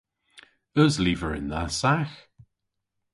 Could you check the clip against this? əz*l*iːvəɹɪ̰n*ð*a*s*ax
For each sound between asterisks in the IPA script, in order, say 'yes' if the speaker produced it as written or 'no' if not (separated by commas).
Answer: yes, yes, yes